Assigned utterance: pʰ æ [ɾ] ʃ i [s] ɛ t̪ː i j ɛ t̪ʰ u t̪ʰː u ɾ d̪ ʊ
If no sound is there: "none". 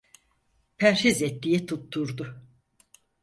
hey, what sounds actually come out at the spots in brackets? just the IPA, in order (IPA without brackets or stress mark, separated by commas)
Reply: ɾ, z